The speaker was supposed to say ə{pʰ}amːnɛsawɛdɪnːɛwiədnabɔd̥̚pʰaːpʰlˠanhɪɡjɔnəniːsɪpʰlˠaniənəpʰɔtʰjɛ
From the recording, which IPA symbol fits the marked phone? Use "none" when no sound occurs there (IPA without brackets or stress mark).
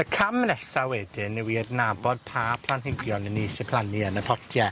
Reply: kʰ